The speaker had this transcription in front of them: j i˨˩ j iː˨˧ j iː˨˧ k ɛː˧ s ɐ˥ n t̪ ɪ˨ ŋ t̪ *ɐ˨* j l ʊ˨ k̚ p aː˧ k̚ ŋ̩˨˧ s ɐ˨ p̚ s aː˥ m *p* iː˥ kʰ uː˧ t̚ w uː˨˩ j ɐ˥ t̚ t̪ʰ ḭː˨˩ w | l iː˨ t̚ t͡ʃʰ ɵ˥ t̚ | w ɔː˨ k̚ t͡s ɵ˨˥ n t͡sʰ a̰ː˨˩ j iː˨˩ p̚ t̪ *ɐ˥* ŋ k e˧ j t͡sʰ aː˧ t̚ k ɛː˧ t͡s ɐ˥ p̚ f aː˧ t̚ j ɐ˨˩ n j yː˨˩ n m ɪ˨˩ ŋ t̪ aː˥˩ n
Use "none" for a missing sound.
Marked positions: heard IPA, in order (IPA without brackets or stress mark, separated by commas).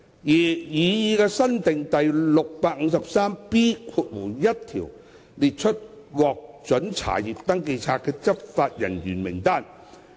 ɐ˨, p, ɐ˥